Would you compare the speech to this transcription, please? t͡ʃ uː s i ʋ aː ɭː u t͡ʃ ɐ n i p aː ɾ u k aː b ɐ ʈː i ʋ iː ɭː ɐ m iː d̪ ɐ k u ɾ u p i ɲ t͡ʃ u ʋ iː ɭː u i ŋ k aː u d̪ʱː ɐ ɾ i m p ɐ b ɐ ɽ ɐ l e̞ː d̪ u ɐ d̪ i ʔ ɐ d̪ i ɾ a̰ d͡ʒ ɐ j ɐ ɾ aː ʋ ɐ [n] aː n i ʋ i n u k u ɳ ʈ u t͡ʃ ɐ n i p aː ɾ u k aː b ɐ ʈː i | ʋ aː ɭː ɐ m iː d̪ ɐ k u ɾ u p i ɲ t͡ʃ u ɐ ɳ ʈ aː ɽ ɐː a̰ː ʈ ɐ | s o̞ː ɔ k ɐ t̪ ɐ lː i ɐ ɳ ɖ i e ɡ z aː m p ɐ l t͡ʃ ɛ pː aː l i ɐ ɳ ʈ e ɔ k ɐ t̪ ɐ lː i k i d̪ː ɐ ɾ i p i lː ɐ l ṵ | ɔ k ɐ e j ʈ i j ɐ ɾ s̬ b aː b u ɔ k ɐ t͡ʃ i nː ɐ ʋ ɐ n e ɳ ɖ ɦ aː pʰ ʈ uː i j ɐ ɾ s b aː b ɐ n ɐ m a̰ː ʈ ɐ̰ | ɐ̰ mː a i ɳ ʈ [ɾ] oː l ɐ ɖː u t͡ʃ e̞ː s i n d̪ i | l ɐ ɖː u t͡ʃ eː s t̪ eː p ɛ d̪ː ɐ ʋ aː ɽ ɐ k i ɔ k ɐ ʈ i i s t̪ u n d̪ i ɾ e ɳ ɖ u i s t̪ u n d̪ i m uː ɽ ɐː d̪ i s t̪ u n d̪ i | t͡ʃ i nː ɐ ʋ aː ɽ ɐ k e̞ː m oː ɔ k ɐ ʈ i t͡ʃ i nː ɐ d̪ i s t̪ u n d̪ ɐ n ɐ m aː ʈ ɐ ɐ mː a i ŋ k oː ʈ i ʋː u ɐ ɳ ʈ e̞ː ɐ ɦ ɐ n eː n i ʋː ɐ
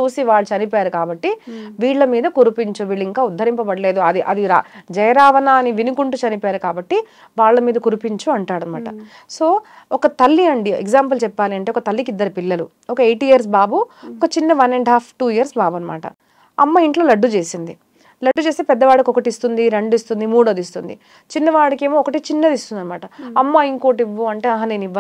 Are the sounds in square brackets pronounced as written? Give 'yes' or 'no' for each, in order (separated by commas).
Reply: yes, no